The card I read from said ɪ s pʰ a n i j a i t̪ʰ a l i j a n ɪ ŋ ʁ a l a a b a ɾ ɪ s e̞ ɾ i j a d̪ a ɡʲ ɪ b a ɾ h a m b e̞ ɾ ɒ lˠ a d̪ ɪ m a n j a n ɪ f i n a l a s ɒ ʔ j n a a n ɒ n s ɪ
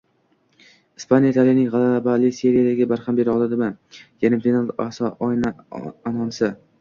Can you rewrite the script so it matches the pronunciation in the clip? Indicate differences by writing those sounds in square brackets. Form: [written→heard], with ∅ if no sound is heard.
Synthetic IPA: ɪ s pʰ a n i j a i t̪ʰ a l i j a n ɪ ŋ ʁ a l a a b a [ɾ→l] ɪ s e̞ ɾ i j a d̪ a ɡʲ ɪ b a ɾ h a m b e̞ ɾ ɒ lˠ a d̪ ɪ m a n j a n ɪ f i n a l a s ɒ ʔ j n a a n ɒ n s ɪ